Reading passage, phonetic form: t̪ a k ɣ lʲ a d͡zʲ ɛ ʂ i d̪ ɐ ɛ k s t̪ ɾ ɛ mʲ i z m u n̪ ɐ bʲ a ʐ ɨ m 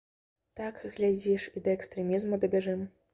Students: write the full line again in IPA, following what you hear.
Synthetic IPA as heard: t̪ a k ɣ lʲ a d͡zʲ i ʂ i d̪ ɐ ɛ k s t̪ ɾ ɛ mʲ i z m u d̪ ɐ bʲ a ʐ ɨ m